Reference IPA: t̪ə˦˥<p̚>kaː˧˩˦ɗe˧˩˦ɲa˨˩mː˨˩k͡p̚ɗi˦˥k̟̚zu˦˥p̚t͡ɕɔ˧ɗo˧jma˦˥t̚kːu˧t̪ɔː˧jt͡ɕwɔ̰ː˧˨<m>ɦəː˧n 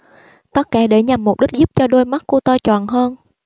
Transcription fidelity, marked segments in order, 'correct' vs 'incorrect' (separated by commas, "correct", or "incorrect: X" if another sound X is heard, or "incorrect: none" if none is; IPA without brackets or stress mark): incorrect: t̚, incorrect: n